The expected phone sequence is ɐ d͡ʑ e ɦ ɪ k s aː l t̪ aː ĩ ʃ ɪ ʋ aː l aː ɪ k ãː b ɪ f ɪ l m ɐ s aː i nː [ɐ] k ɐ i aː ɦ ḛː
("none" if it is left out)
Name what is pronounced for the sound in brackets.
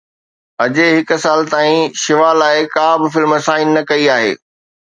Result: ɐ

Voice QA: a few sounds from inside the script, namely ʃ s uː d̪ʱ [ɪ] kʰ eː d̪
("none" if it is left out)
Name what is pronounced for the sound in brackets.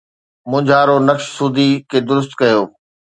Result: i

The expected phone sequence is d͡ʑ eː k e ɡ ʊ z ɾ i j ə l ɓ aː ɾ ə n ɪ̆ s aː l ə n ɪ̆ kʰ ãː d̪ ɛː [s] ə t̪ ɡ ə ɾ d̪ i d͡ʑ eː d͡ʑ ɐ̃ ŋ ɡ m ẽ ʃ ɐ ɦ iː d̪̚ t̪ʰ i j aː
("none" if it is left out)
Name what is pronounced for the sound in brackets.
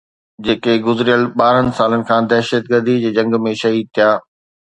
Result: ʃ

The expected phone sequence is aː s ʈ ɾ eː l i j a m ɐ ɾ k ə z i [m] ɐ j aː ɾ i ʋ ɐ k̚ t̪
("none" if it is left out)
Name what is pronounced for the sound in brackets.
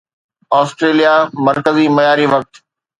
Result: m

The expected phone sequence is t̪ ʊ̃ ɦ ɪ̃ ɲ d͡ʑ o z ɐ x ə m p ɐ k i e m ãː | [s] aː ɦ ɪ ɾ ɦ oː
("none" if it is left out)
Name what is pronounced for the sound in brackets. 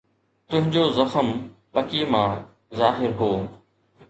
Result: z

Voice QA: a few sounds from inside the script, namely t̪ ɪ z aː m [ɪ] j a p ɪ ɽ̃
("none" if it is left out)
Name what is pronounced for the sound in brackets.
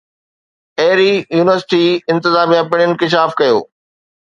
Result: i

